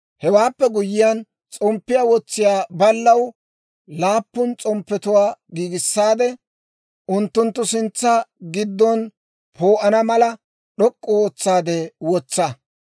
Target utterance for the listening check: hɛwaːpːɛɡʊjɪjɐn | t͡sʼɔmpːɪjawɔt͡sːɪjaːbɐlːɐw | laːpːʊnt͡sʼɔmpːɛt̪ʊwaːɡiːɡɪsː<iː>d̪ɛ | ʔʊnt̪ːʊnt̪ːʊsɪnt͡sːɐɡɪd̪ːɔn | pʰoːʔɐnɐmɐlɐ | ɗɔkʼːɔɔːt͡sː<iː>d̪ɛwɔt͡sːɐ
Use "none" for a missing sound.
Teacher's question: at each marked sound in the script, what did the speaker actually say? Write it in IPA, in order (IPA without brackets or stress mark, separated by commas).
aː, aː